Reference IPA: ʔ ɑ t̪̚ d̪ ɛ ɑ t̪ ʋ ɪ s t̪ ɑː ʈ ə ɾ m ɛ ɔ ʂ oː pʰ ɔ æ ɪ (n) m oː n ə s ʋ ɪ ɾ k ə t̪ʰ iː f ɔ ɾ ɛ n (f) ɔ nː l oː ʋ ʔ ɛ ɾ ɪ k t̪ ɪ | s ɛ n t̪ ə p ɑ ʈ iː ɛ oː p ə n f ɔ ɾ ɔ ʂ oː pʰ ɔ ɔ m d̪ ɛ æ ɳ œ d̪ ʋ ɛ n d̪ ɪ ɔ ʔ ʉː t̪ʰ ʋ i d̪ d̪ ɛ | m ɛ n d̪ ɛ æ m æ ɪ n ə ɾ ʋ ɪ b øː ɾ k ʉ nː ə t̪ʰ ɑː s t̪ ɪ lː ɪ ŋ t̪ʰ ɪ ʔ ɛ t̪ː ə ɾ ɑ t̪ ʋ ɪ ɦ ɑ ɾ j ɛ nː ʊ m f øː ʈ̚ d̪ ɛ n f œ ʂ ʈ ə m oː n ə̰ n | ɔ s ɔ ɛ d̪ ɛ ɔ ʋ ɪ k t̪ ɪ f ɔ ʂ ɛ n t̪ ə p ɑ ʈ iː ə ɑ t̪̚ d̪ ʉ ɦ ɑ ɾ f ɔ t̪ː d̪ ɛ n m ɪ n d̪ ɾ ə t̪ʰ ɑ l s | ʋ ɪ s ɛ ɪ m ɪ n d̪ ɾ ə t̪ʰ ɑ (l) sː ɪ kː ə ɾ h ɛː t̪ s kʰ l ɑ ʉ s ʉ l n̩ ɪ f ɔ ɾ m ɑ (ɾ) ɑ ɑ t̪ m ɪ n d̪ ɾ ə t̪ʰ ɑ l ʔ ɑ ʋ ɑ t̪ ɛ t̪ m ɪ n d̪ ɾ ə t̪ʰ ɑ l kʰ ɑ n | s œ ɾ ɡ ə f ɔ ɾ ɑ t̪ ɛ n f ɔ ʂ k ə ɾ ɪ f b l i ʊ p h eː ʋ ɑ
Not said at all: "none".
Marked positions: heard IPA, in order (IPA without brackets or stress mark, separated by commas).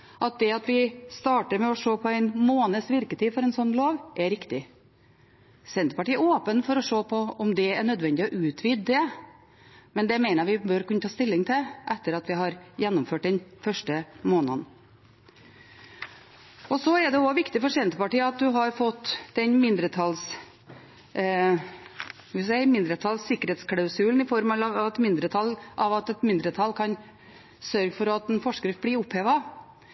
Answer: n, s, l, l